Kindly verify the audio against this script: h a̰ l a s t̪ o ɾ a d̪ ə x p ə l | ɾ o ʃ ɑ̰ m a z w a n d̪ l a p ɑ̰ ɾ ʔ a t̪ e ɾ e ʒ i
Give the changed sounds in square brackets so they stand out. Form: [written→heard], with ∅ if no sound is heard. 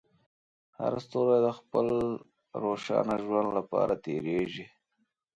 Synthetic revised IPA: h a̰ [l→ɾ] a s t̪ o ɾ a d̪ ə x p ə l | ɾ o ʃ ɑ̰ [m→n] a [z→ʒ] w a n d̪ l a p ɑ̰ ɾ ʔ a t̪ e ɾ e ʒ i